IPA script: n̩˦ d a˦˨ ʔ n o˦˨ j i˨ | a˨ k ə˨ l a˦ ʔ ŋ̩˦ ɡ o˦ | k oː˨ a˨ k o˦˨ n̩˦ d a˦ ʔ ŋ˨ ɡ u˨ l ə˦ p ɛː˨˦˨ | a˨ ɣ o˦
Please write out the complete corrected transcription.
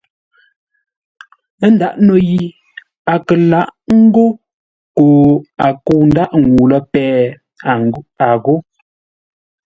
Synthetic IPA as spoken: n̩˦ d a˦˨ ʔ n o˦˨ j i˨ | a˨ k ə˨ l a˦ ʔ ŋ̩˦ ɡ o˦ | k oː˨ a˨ k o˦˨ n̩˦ d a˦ ʔ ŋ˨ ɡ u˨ l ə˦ p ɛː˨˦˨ | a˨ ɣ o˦